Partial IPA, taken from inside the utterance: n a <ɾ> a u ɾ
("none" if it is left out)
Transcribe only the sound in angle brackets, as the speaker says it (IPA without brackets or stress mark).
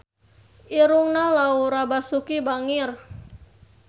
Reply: l